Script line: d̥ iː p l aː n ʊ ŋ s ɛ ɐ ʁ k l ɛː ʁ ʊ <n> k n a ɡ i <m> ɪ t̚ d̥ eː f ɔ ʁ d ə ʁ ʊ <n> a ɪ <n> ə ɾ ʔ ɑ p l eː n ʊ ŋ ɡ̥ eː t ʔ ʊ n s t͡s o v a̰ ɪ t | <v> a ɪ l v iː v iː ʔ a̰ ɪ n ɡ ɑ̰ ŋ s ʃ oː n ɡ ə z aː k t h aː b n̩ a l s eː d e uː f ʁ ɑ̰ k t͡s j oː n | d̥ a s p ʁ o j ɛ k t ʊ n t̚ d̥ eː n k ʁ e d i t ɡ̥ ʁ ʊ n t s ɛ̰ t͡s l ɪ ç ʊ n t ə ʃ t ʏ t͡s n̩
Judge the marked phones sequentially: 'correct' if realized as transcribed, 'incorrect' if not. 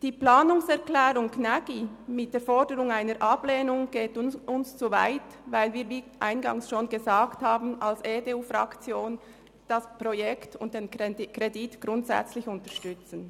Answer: incorrect: ŋ, correct, incorrect: ŋ, correct, correct

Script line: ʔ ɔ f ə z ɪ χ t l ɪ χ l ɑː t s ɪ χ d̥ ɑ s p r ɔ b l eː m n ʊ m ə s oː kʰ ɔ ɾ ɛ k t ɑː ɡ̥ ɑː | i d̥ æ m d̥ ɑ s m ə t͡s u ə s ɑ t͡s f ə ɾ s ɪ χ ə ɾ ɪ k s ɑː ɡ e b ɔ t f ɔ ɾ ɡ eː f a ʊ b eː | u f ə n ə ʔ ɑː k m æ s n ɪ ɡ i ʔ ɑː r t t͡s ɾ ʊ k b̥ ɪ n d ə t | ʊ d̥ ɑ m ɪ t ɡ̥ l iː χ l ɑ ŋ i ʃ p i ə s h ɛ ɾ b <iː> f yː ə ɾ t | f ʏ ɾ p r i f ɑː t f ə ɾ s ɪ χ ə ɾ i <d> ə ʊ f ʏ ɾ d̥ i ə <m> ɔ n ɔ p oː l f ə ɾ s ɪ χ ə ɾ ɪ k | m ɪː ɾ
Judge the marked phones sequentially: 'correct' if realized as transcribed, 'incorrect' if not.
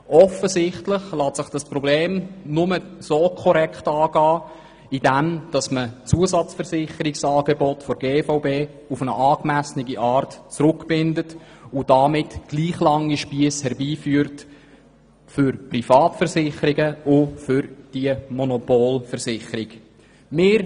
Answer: correct, incorrect: ɡ, correct

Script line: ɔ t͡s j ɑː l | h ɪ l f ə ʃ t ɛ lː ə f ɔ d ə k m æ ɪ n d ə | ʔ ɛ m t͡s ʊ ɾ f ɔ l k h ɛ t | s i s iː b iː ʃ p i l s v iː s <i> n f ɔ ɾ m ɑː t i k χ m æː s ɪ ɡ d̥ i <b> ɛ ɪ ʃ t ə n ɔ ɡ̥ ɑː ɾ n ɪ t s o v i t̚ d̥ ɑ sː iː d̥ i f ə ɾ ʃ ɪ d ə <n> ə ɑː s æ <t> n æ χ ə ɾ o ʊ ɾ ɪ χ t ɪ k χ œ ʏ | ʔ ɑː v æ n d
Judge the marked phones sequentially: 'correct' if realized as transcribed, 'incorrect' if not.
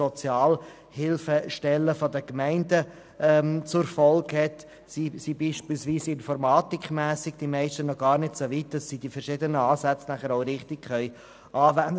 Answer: incorrect: ɪ, incorrect: m, correct, incorrect: t͡s

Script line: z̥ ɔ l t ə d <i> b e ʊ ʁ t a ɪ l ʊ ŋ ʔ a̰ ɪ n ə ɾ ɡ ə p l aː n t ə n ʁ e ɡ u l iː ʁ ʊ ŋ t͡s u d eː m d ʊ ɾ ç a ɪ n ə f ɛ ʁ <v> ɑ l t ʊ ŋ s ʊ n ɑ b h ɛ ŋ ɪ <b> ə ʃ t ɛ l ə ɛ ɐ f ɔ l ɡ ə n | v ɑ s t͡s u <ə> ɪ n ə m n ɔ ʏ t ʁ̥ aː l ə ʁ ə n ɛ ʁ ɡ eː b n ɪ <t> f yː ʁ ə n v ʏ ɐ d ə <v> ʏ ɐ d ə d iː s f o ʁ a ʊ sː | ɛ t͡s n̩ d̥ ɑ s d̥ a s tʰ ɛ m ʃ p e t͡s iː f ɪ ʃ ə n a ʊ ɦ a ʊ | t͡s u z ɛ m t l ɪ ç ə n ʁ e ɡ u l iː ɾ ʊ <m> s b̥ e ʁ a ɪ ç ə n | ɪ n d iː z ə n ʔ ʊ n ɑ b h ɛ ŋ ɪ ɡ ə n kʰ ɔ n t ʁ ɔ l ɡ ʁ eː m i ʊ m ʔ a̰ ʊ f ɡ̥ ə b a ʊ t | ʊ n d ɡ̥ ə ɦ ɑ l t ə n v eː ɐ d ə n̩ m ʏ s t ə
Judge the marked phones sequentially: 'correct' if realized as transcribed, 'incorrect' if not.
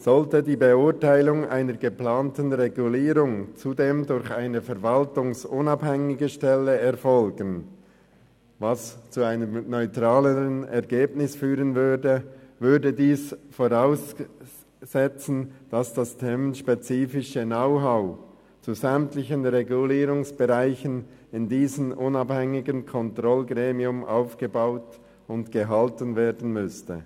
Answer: incorrect: iː, correct, incorrect: ɡ, incorrect: a, incorrect: s, correct, incorrect: ŋ

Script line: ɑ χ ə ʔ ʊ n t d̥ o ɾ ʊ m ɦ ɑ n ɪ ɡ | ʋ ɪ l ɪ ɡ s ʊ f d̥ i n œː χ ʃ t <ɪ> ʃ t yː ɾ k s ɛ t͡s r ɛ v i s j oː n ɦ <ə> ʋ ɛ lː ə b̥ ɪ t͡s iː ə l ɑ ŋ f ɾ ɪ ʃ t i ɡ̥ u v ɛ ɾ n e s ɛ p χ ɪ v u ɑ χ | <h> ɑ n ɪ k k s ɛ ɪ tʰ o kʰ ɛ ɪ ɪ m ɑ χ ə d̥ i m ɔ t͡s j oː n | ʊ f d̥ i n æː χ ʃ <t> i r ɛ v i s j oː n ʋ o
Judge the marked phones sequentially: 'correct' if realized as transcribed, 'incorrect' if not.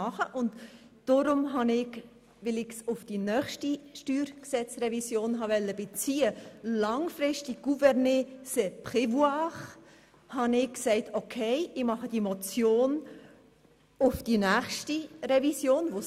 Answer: incorrect: i, incorrect: ɑ, correct, correct

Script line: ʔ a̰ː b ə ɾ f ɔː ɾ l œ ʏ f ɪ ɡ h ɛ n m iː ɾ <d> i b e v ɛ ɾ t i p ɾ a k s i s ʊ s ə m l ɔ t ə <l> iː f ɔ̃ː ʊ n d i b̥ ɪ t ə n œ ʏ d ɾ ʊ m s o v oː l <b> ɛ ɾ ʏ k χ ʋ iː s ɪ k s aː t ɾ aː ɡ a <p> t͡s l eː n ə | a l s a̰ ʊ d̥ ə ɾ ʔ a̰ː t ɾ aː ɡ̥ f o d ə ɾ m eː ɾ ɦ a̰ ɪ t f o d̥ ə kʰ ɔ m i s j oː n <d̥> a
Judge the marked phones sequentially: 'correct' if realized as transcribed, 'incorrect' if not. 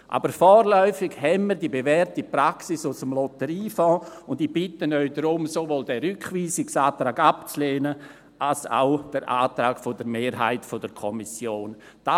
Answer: correct, incorrect: ɾ, incorrect: d, correct, correct

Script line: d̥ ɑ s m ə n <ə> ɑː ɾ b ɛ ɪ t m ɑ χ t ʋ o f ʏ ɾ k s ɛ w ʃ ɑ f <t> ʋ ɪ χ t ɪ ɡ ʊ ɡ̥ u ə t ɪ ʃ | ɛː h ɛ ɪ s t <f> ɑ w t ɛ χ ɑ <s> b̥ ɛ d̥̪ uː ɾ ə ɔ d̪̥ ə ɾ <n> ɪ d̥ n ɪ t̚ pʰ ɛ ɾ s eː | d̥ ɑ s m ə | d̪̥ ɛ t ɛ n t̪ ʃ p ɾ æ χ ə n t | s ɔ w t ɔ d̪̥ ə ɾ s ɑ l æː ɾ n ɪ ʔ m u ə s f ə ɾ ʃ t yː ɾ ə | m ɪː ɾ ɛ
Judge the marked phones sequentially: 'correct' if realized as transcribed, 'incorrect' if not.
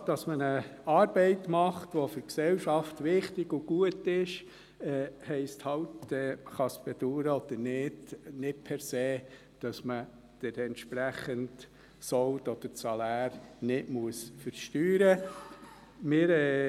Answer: correct, correct, incorrect: h, correct, correct

